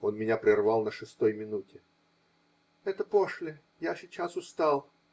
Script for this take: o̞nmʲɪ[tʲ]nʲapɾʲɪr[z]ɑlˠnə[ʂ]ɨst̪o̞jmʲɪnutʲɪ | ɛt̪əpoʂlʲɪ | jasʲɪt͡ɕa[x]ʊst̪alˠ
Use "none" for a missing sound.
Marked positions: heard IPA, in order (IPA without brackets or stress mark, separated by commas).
none, v, ʂ, s